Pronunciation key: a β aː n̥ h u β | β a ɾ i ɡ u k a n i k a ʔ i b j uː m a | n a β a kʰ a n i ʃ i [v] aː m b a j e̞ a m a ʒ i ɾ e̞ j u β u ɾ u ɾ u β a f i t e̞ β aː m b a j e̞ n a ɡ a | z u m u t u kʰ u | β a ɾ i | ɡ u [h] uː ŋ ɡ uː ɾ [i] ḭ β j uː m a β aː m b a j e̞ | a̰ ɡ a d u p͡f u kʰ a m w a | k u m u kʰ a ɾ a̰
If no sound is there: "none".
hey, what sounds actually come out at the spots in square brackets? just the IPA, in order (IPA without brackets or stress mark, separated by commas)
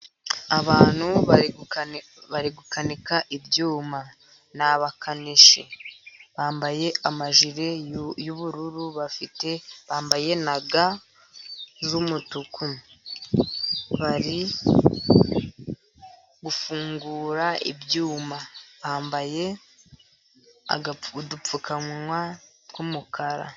β, f, a